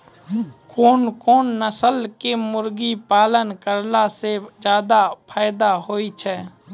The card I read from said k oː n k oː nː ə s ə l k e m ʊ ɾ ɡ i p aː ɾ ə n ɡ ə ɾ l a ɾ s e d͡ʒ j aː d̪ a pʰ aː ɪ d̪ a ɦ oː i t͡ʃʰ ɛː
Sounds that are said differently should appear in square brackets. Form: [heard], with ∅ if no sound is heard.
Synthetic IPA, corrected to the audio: k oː n k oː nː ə s ə l k e m ʊ ɾ ɡ i p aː [l] ə n [k] ə ɾ l a [∅] s e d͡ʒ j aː d̪ a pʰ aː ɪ d̪ a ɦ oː i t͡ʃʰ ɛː